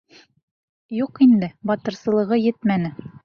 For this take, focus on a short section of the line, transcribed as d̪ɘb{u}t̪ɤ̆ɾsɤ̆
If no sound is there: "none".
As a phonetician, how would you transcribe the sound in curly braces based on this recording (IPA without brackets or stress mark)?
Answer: ɒ